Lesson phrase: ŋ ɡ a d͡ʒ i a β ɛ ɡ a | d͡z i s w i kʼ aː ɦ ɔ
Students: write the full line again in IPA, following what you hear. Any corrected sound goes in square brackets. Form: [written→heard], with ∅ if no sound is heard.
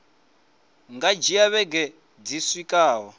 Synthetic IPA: ŋ ɡ a d͡ʒ i a β ɛ ɡ [a→ɛ] | d͡z i s w i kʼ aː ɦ ɔ